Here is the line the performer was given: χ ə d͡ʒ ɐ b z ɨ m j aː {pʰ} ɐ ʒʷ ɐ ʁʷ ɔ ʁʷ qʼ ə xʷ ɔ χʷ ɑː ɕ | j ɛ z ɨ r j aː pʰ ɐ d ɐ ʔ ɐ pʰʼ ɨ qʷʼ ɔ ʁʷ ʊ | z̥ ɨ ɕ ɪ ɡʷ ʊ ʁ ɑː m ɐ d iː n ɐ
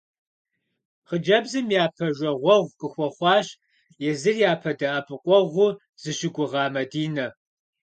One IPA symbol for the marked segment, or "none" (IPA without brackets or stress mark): pʰ